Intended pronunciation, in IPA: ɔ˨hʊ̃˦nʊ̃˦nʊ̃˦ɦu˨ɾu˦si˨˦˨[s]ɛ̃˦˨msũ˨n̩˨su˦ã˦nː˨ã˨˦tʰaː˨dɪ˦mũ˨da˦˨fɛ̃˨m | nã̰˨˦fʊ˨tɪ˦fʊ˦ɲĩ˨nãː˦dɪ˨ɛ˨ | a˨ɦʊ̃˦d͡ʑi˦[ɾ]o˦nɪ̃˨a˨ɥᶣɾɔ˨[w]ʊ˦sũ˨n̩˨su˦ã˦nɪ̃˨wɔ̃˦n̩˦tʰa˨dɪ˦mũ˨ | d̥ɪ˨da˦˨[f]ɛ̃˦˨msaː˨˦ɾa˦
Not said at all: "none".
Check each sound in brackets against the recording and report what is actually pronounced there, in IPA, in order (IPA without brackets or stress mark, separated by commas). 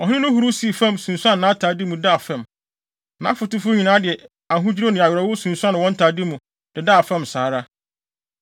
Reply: f, ɾ, w, f